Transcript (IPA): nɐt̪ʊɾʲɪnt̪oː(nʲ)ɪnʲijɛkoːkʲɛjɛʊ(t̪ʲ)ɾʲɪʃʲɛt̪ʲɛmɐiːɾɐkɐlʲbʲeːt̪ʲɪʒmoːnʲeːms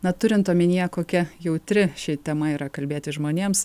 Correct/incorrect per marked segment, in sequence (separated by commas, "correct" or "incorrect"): incorrect, correct